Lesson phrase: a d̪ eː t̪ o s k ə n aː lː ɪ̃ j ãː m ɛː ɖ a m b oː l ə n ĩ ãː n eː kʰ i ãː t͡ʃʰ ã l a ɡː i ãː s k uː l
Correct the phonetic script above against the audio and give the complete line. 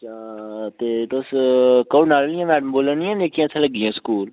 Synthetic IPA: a t̪ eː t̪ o s k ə n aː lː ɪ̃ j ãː m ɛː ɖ ə m b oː l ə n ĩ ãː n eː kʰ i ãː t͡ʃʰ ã l ə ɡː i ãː s k uː l